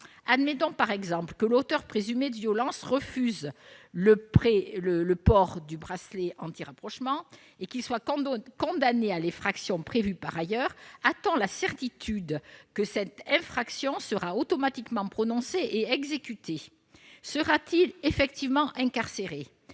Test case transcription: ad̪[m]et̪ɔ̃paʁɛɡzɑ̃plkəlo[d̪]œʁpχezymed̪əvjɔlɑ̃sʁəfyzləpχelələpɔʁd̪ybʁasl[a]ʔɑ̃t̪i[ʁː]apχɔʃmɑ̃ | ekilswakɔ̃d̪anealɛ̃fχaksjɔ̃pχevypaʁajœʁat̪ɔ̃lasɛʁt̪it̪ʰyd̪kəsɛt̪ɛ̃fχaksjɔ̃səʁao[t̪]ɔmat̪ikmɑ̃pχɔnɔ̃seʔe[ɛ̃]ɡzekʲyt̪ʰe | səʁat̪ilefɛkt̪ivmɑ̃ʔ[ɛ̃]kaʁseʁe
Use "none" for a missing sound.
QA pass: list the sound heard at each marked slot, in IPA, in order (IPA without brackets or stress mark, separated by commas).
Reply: m, t̪, e, ʁ, t̪, ɛ, ɛ̃